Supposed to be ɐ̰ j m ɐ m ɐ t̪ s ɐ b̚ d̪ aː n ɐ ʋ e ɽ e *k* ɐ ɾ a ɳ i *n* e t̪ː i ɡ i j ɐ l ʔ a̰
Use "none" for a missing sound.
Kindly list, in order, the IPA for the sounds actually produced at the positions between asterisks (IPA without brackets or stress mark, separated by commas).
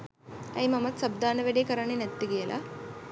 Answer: k, n